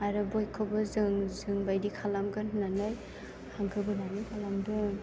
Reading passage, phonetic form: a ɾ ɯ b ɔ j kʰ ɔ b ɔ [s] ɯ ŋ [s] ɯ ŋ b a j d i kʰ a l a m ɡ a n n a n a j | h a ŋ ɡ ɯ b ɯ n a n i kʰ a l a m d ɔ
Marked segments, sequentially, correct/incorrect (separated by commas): incorrect, incorrect